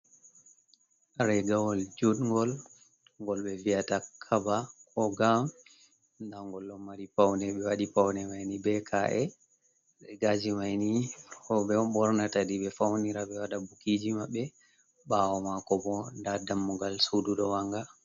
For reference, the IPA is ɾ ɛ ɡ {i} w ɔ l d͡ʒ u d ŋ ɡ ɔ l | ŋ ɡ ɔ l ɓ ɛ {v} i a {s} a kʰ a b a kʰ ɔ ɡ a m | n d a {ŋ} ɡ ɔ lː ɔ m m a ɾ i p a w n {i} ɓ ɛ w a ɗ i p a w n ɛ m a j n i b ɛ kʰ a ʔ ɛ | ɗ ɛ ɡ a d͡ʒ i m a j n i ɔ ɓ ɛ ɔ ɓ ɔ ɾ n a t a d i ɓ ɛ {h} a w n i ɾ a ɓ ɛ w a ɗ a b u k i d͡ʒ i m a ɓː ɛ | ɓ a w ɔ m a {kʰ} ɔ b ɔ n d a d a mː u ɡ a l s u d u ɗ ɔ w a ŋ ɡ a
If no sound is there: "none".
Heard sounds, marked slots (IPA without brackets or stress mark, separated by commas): a, v, t, ŋ, ɛ, f, k